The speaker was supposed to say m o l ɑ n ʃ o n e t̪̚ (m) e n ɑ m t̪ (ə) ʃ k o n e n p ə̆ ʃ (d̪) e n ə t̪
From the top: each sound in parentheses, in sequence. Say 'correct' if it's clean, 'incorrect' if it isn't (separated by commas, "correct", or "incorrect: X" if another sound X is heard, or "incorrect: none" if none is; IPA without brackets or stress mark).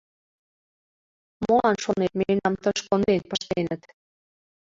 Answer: correct, correct, incorrect: t̪